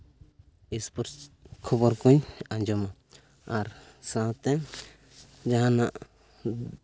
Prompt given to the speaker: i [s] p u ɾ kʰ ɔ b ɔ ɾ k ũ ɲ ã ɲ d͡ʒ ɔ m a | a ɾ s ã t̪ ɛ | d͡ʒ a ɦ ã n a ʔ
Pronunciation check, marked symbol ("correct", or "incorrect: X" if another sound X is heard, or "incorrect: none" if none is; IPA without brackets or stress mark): correct